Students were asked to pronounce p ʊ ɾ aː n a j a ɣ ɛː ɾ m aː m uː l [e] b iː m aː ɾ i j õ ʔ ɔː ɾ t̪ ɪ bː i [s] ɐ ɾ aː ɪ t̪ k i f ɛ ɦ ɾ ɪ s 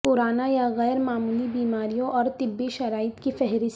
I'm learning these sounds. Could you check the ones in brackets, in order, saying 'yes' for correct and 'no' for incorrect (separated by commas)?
no, no